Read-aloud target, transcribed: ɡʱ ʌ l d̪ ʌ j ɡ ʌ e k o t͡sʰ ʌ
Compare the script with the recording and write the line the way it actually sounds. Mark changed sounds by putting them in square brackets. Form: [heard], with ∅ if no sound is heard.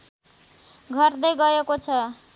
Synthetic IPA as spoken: ɡʱ ʌ [r] d̪ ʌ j ɡ ʌ e k o t͡sʰ ʌ